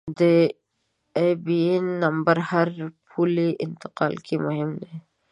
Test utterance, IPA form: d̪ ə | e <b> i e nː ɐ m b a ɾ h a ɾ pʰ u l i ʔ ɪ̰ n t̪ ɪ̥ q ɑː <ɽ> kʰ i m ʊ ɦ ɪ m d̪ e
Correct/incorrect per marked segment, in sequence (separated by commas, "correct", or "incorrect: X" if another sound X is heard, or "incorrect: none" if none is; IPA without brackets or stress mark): correct, incorrect: l